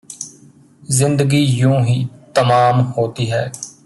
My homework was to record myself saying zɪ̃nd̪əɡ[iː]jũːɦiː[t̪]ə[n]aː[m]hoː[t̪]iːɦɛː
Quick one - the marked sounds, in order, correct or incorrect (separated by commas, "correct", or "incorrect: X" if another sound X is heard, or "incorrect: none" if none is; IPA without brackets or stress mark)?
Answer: correct, correct, incorrect: m, correct, correct